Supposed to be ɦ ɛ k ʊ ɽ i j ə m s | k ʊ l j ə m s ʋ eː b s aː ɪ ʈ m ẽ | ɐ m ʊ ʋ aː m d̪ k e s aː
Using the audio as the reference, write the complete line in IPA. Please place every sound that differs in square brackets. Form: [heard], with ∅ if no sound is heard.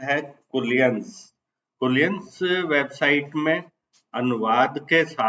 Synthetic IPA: ɦ ɛ k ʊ [l] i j ə [n] s | k ʊ l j ə [n] s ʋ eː b s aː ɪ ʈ m ẽ | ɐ [n] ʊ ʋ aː [∅] d̪ k e s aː